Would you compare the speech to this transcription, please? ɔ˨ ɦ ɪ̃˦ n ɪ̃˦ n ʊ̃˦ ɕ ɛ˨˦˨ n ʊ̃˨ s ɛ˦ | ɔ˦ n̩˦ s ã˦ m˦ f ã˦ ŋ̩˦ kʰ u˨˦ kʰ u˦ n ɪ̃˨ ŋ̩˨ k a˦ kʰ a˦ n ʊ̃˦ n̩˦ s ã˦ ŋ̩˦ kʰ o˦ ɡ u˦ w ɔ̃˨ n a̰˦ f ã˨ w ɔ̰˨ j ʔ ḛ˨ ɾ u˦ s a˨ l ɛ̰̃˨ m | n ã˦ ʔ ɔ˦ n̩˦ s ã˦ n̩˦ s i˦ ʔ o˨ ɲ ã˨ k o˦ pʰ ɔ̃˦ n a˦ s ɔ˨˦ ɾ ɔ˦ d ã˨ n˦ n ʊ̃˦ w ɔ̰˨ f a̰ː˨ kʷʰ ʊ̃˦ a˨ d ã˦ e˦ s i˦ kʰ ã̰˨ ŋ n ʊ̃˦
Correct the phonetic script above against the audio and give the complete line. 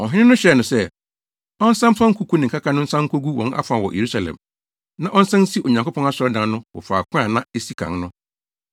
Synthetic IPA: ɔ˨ ɦ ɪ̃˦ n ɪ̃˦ n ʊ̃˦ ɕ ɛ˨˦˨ n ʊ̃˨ s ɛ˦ | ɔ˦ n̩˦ s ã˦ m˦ f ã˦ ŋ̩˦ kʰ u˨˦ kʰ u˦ n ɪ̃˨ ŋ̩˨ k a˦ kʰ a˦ n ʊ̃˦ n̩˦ s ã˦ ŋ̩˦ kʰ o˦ ɡ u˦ w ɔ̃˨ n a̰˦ f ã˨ w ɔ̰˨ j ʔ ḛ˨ ɾ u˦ s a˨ l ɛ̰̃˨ m | n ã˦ ʔ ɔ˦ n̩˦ s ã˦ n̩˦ s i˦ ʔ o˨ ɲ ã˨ k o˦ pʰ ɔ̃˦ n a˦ s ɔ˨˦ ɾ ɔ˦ d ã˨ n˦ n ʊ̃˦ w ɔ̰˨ f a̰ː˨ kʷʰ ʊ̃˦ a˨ n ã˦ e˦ s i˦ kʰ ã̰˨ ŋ n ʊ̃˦